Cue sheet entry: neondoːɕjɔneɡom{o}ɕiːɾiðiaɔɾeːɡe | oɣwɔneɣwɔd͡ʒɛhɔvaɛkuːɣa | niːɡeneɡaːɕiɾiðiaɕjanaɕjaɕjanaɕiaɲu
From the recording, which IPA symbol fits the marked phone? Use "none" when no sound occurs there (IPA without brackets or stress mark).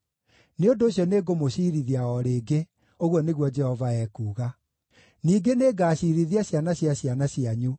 o